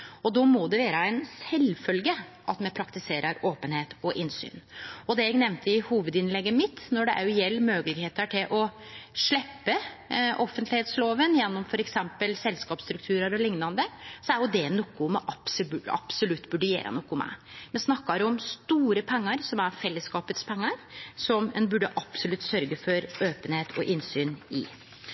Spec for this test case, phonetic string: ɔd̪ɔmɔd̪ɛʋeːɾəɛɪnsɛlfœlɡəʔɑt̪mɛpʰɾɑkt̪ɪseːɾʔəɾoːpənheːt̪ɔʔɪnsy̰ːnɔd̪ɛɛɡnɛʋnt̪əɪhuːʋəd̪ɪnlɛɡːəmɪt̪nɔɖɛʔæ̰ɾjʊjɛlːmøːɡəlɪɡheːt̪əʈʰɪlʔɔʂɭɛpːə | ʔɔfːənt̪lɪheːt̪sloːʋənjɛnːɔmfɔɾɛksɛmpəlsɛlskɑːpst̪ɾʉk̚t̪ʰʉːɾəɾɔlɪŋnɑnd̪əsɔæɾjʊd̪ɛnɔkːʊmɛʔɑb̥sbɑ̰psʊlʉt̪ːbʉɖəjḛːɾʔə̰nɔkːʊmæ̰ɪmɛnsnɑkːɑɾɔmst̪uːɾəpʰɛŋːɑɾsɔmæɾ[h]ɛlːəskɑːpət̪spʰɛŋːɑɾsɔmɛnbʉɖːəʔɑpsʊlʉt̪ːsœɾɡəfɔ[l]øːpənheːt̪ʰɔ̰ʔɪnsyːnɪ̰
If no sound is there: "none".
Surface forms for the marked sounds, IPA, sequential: f, ɾ

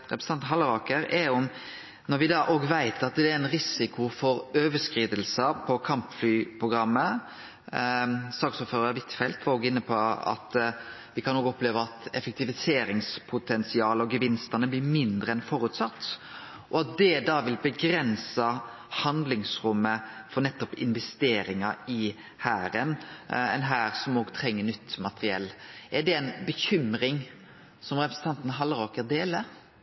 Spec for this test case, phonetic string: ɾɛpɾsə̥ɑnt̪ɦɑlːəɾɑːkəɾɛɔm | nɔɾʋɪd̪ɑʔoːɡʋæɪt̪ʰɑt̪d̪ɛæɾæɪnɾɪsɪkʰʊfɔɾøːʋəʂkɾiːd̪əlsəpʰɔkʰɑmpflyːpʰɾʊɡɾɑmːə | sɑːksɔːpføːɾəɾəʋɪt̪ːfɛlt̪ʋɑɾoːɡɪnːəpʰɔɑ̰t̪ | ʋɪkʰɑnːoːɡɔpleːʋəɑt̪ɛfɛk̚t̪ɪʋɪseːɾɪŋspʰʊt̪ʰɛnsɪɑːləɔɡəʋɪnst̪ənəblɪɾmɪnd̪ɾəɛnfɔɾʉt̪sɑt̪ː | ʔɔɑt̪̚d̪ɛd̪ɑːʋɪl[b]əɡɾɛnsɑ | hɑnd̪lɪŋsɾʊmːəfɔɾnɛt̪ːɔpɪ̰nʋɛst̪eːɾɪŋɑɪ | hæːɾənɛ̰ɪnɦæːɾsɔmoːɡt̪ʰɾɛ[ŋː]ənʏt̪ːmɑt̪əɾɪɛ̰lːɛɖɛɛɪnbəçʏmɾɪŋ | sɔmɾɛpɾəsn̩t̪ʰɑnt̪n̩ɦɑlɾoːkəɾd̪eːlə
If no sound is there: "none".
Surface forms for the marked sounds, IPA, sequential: b, ŋː

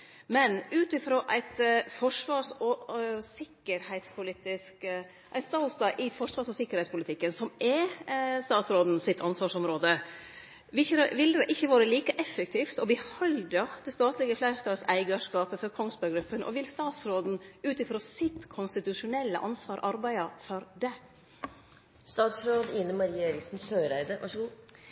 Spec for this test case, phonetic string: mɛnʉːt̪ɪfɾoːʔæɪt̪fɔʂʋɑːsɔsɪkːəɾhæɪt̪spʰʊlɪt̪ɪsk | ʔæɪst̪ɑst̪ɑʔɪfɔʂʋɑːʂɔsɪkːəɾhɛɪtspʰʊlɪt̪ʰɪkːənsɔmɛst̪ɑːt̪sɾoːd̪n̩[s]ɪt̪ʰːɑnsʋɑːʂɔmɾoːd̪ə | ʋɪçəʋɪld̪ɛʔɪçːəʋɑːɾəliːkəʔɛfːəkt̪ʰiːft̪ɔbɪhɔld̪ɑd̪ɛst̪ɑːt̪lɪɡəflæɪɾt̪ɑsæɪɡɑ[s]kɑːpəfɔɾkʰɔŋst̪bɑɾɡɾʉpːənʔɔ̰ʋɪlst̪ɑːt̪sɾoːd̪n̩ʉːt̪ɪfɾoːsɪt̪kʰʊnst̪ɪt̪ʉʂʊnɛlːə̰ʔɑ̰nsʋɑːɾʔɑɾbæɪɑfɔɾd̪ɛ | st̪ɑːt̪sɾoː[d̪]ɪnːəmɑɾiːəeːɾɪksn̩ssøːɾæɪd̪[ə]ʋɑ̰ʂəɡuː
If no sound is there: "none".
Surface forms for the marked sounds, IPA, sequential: s, ʂ, d̪, ə

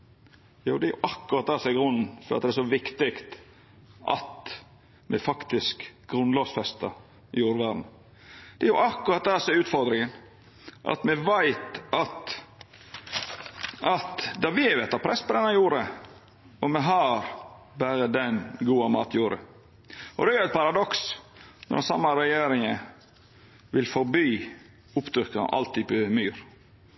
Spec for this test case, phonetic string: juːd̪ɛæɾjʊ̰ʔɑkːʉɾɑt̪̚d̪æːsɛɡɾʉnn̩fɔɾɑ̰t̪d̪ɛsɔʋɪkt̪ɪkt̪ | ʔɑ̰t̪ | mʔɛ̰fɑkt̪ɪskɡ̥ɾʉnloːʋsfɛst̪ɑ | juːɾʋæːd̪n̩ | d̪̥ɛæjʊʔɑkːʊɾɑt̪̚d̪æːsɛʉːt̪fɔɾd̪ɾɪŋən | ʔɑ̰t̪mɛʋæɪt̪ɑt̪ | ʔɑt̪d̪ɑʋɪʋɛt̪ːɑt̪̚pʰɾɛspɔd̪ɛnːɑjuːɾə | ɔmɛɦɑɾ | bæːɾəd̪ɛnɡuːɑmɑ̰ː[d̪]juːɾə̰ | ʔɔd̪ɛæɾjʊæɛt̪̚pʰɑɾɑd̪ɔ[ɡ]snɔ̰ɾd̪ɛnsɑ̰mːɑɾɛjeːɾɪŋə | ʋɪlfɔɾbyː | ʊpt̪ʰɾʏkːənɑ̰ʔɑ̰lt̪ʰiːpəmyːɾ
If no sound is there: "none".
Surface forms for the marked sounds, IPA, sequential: t̪, k

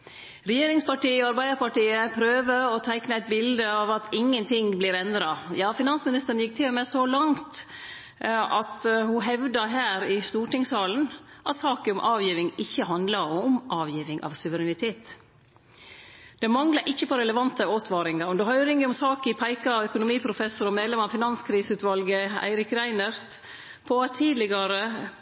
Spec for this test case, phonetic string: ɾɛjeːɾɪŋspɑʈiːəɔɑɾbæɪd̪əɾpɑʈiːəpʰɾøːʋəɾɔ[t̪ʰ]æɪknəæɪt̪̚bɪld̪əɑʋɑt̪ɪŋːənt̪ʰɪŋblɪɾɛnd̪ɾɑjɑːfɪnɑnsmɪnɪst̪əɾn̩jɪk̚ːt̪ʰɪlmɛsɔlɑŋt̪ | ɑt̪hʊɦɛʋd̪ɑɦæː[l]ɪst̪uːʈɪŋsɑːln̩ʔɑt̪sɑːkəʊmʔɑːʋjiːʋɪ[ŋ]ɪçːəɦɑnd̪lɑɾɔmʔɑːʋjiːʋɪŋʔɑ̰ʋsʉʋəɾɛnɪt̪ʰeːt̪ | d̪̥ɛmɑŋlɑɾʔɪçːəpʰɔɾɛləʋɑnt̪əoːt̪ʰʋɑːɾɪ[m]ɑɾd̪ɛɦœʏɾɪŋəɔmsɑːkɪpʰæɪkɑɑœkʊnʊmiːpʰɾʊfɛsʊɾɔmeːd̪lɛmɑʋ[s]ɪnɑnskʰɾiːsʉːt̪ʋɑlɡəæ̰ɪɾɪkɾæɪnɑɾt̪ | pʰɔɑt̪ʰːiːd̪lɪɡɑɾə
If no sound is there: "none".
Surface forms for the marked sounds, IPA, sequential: t̪ʰ, ɾ, ŋ, ŋ, f

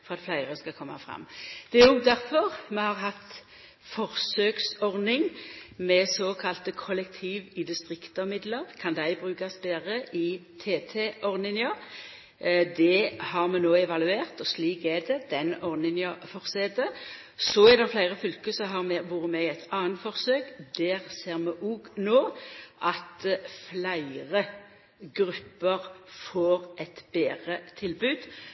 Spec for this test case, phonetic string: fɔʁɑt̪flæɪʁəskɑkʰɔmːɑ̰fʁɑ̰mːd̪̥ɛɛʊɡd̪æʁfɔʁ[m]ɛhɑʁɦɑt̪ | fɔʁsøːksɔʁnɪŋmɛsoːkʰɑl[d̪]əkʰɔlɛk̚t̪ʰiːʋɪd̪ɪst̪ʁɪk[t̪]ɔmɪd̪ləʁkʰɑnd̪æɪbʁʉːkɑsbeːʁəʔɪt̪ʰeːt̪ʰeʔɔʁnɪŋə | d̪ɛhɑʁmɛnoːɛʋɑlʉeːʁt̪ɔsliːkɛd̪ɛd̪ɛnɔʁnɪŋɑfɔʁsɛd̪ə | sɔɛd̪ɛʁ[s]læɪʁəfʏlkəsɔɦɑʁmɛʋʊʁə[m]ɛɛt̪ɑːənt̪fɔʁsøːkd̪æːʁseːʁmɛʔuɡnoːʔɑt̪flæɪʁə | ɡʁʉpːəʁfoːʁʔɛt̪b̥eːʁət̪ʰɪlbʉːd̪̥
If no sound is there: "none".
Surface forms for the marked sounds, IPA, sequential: m, t̪, t̪, f, m

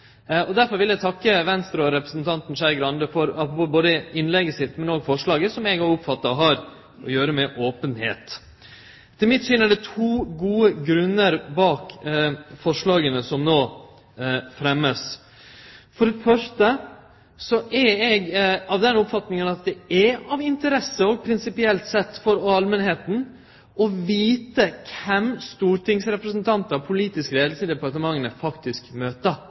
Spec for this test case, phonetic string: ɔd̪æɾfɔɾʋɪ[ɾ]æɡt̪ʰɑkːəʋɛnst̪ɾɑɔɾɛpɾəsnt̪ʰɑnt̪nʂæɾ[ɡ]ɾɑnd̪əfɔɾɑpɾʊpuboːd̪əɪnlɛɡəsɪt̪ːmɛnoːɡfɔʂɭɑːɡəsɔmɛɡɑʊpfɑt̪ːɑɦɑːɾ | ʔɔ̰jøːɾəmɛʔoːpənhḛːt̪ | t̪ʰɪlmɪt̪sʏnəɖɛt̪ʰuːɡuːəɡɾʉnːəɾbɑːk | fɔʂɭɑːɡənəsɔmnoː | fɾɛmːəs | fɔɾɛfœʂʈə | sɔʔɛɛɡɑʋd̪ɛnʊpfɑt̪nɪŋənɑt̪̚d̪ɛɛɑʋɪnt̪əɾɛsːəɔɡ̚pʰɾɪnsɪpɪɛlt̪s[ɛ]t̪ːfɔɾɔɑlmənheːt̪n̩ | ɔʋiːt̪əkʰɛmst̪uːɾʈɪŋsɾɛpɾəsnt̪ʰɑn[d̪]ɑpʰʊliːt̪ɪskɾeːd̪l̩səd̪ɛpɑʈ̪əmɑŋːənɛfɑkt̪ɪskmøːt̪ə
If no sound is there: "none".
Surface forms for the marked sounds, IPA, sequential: l, ɡ, ɛ, t̪

